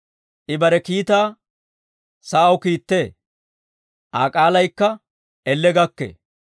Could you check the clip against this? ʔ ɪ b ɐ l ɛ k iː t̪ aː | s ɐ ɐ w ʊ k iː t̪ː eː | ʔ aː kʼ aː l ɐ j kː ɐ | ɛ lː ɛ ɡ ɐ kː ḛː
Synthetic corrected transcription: ʔ ɪ b ɐ ɾ ɛ k iː t̪ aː | s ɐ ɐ w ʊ k iː t̪ː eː | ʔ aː kʼ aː l ɐ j kː ɐ | ɛ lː ɛ ɡ ɐ kː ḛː